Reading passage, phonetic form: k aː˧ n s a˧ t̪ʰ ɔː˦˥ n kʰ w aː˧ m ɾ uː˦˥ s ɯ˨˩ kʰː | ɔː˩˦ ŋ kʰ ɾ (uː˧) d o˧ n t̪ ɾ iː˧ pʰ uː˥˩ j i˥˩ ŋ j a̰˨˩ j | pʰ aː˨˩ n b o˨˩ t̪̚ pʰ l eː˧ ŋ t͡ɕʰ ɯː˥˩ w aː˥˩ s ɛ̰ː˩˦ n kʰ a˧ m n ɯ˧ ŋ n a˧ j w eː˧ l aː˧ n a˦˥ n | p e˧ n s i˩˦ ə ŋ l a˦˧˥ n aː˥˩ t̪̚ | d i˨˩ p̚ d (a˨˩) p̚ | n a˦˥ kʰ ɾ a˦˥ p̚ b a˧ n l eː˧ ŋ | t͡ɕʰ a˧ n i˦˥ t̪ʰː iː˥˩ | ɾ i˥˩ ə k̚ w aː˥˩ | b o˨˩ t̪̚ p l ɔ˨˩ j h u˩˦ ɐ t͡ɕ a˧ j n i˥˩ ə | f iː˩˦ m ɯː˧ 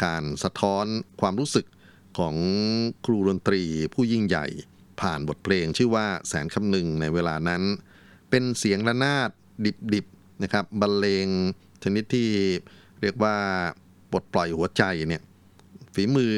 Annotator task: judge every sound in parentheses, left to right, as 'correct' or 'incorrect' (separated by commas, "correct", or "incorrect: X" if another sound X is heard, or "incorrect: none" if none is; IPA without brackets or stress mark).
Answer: correct, incorrect: i˨˩